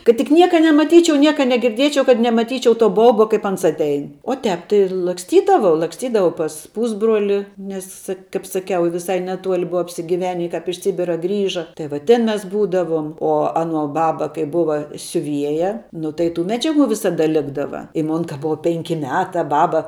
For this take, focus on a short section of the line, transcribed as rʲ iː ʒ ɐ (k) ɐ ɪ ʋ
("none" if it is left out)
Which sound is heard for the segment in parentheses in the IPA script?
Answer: t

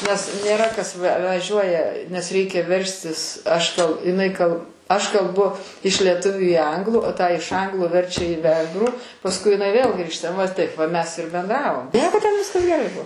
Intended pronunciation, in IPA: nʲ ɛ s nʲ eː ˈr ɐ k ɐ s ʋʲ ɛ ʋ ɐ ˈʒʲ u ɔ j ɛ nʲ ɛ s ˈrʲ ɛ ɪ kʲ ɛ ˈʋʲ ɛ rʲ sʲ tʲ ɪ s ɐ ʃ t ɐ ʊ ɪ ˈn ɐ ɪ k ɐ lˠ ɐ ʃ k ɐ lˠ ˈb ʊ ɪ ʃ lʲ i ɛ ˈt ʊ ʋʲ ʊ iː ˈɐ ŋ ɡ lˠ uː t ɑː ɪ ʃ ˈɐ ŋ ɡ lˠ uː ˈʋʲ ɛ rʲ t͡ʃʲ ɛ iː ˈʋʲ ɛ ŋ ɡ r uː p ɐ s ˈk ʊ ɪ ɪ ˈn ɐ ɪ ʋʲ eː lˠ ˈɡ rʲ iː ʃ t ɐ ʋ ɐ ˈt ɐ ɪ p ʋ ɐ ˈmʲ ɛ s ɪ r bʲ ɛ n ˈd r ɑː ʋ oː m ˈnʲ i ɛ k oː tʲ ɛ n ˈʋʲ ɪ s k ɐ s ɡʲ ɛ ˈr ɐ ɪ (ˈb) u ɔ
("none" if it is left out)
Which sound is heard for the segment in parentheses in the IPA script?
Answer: b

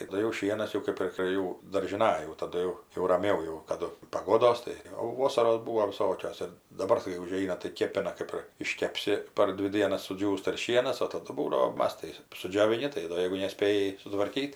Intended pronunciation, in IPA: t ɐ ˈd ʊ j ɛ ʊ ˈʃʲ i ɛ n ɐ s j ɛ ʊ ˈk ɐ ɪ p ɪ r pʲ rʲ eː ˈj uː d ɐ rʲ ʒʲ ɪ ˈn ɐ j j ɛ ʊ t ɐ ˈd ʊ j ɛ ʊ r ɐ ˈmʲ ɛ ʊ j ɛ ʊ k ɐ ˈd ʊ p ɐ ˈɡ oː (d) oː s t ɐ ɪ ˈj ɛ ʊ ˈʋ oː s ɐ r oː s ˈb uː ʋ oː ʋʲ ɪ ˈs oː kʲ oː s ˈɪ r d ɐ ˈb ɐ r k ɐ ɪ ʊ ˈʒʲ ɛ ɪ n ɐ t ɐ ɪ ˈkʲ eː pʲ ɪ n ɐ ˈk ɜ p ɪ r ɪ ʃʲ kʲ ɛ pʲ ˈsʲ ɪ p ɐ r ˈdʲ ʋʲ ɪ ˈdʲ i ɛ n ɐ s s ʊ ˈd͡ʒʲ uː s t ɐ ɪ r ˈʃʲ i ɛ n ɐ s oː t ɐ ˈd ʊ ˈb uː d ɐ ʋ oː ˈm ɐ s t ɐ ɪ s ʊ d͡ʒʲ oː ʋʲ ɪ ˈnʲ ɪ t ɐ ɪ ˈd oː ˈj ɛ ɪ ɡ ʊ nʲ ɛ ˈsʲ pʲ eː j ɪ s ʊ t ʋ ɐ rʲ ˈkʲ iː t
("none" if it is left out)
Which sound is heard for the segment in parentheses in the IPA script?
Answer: d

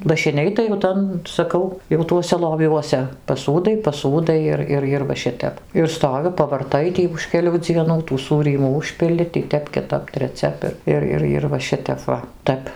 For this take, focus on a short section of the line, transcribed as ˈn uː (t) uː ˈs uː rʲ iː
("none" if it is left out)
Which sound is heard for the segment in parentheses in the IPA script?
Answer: t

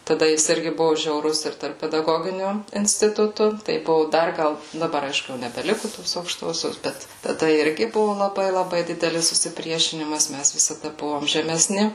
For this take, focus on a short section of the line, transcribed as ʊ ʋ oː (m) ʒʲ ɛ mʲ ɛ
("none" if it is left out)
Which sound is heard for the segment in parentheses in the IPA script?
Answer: m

